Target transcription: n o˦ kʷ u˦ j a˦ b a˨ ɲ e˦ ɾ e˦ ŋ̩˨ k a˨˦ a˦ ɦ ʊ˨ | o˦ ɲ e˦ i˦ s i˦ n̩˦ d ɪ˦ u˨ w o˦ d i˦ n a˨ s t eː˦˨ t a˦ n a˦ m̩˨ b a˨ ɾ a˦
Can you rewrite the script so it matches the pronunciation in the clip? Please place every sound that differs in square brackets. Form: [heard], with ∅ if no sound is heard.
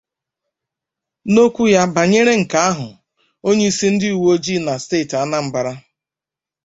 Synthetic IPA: n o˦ kʷ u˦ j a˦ b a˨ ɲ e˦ ɾ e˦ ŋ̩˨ k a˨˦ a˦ ɦ ʊ˨ | o˦ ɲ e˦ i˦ s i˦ n̩˦ d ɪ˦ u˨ w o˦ [d͡ʒ] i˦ n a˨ s t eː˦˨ t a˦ n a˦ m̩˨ b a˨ ɾ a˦